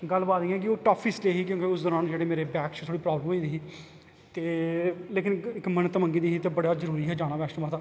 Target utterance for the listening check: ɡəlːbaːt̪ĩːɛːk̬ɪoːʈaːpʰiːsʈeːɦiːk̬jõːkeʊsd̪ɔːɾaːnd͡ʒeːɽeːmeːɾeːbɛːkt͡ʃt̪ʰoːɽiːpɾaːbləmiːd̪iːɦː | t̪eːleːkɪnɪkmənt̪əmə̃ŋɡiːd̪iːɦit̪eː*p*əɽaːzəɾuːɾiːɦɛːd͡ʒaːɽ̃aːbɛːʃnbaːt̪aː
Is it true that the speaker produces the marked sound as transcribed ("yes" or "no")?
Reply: no